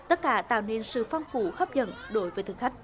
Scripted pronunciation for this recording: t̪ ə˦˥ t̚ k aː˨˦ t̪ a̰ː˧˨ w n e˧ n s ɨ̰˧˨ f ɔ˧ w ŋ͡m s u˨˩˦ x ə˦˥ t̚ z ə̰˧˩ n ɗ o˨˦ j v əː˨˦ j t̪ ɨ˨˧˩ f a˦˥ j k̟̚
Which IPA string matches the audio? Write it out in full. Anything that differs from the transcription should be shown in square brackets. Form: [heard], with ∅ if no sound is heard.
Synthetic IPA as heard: t̪ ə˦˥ t̚ k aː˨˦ t̪ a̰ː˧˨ w n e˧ n s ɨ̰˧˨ f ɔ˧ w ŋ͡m [f] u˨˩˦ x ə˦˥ [p̚] z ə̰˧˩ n ɗ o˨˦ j v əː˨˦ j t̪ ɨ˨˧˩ [x] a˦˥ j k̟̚